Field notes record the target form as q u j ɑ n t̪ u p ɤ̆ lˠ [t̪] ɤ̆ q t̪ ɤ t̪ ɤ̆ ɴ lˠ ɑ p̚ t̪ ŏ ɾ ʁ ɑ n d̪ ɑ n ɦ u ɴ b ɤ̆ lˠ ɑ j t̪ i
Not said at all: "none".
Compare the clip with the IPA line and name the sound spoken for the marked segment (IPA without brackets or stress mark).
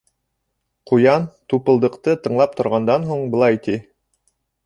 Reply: d̪